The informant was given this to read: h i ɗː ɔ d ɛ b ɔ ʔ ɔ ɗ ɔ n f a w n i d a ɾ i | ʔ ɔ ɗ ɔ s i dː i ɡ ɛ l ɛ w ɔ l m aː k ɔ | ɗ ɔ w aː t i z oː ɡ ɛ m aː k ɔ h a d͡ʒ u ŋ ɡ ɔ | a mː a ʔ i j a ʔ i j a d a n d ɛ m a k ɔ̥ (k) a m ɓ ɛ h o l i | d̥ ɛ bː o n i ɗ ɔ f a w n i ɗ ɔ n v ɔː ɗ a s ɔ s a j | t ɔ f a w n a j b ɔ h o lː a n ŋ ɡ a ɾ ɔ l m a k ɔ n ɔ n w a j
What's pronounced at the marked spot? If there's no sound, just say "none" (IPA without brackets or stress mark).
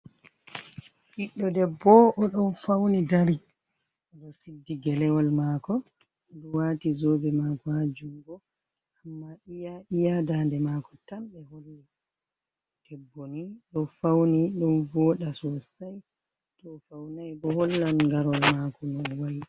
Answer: t